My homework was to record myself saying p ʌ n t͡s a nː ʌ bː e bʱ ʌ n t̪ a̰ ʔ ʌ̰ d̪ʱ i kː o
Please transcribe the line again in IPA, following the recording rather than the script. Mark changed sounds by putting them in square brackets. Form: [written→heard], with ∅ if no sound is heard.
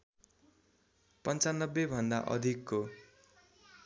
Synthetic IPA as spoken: p ʌ n t͡s a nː ʌ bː e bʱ ʌ n [t̪→d̪] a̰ ʔ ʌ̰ d̪ʱ i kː o